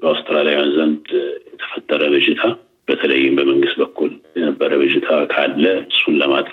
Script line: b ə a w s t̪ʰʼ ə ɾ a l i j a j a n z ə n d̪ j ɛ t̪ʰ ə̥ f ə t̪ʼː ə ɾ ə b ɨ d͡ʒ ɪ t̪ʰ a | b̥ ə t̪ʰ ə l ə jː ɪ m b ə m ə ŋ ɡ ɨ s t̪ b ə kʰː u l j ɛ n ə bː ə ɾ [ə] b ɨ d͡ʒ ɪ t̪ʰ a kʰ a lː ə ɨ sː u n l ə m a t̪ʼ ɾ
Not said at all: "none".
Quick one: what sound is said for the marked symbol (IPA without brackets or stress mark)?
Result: ə